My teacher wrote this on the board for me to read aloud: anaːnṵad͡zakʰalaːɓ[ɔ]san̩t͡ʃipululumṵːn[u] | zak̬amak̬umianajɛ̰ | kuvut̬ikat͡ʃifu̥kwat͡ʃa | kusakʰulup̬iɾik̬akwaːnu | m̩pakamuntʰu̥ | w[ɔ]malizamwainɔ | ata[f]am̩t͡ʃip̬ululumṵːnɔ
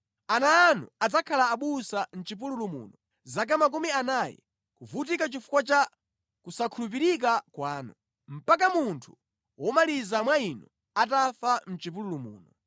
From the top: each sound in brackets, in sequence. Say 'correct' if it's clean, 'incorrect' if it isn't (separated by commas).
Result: incorrect, incorrect, correct, correct